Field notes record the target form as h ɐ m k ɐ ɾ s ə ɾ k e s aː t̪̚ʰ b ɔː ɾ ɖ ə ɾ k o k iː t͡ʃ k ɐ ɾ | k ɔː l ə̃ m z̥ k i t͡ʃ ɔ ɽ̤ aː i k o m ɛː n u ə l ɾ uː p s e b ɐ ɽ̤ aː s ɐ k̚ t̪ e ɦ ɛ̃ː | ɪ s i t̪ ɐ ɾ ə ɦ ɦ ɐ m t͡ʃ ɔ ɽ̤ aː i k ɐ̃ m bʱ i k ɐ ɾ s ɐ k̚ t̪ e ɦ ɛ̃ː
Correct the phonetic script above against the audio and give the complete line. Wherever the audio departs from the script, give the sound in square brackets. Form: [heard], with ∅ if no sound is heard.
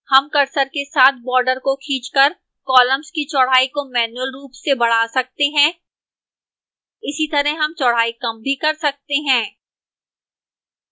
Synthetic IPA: h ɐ m k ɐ ɾ s ə ɾ k e s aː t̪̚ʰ b ɔː ɾ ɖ ə ɾ k o [kʰ] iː t͡ʃ k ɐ ɾ | k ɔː l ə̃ m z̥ k i t͡ʃ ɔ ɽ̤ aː i k o m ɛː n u ə l ɾ uː p s e b ɐ ɽ̤ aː s ɐ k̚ t̪ e ɦ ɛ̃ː | ɪ s i t̪ ɐ ɾ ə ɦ ɦ ɐ m t͡ʃ ɔ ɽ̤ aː i k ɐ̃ m bʱ i k ɐ ɾ s ɐ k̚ t̪ e ɦ ɛ̃ː

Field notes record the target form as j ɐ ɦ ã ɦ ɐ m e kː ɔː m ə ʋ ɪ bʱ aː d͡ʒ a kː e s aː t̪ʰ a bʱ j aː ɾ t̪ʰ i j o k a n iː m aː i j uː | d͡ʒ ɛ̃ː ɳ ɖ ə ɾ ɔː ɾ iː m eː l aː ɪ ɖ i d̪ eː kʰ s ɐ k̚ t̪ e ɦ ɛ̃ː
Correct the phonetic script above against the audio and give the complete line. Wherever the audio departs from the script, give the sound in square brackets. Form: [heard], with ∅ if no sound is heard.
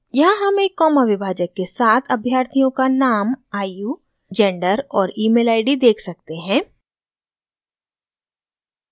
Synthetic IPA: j ɐ ɦ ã ɦ ɐ m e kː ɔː m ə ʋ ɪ bʱ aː d͡ʒ [ə] kː e s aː t̪ʰ [ɐ] bʱ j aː ɾ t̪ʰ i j [õ] k a n [aː] m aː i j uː | d͡ʒ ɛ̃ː ɳ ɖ ə ɾ ɔː ɾ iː m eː l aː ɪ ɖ i d̪ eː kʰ s ɐ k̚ t̪ e ɦ ɛ̃ː

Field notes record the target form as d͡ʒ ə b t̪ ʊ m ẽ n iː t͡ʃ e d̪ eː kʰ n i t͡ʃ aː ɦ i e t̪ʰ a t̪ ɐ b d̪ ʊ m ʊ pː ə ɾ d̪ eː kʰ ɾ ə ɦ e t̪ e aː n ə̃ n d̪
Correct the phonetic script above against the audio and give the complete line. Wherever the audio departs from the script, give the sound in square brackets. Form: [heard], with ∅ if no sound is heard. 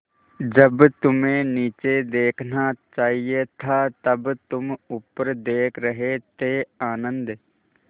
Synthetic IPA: d͡ʒ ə b t̪ ʊ m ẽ n iː t͡ʃ e d̪ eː kʰ n [a] t͡ʃ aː ɦ i e t̪ʰ a t̪ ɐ b [t̪] ʊ m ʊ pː ə ɾ d̪ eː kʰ ɾ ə ɦ e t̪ e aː n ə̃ n d̪

